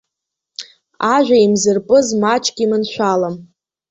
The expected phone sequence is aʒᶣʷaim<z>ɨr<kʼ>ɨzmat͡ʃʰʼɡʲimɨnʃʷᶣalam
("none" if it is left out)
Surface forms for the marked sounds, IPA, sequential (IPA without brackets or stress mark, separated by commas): z, pʼ